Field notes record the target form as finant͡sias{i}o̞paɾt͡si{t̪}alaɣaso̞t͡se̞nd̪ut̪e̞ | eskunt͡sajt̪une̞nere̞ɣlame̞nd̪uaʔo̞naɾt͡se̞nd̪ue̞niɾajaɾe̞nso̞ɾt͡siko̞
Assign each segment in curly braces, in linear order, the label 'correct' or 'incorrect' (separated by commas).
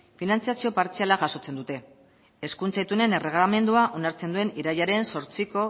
correct, incorrect